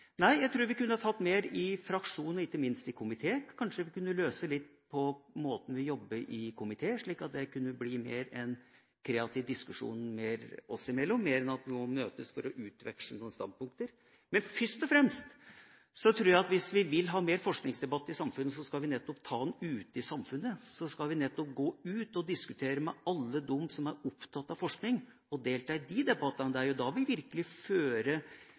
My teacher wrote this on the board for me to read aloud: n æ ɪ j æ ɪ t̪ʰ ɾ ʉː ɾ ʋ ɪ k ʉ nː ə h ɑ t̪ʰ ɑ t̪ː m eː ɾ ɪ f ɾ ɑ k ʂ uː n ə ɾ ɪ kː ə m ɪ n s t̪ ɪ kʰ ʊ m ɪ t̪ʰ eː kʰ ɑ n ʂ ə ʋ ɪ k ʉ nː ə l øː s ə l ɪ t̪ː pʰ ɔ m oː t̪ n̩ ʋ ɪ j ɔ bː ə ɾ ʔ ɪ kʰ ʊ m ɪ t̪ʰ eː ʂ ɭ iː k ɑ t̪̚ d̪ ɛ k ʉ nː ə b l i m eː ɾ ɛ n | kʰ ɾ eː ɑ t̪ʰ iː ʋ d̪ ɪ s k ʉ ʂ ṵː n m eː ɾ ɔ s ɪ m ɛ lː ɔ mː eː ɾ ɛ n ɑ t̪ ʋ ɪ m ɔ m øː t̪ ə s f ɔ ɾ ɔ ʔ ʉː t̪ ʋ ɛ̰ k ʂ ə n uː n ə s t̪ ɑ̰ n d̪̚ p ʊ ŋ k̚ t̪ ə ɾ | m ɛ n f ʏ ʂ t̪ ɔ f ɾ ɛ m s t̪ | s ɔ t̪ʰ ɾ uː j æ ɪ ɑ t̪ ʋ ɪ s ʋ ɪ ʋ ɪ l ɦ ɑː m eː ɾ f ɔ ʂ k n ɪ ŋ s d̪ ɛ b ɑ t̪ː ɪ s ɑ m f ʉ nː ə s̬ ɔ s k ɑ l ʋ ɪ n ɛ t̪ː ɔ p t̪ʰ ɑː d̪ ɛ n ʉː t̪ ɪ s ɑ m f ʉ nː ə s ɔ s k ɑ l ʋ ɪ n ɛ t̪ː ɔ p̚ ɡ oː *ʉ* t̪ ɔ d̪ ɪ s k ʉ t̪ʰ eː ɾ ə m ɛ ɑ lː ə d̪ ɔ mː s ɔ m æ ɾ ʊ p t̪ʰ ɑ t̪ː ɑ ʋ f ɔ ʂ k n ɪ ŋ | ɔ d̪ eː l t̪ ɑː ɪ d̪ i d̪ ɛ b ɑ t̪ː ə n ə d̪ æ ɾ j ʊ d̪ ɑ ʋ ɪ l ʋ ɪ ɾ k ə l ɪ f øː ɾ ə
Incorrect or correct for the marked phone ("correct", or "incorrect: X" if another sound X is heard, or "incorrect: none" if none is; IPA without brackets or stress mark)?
incorrect: ʉː